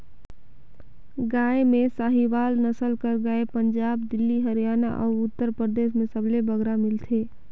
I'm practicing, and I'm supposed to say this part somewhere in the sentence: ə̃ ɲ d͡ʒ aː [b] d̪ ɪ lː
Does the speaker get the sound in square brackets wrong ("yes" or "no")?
no